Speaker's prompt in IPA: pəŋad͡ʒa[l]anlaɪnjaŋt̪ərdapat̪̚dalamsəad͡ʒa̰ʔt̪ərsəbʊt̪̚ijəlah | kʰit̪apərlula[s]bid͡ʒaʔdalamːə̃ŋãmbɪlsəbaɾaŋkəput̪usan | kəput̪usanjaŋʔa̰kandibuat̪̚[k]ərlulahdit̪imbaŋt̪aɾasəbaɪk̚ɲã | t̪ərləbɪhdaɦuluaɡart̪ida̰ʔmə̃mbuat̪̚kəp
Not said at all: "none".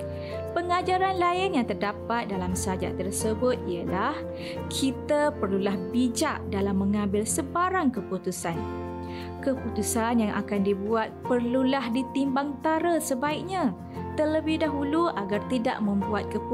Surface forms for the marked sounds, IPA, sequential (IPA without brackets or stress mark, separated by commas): ɾ, h, p